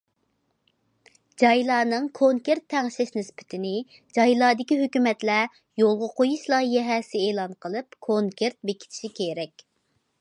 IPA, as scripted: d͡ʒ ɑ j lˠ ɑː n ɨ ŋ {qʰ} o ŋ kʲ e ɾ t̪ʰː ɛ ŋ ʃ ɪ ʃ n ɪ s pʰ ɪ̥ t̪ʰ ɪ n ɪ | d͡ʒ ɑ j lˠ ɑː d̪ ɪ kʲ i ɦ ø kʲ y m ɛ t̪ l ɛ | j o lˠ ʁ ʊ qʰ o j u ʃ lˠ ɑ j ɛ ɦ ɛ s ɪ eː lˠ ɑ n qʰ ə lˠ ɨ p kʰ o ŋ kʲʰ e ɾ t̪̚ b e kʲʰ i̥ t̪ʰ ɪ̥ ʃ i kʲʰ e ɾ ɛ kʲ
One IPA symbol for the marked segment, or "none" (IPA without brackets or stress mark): kʰ